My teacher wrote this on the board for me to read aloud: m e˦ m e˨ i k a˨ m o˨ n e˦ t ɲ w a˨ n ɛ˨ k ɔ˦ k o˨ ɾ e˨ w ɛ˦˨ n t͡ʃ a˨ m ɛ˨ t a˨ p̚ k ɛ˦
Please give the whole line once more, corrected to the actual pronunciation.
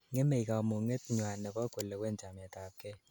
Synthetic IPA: ŋ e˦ m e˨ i k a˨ m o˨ ŋ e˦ t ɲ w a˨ n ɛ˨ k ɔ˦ k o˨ l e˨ w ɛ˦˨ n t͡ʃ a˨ m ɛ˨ t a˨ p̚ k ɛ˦